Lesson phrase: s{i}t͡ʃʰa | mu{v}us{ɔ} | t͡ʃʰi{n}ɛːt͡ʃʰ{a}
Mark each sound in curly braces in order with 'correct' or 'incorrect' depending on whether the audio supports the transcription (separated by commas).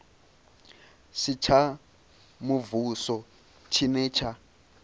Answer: correct, correct, correct, correct, correct